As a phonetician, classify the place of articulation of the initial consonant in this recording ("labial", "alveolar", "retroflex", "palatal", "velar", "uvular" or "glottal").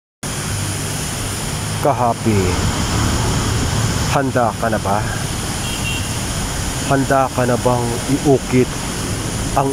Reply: velar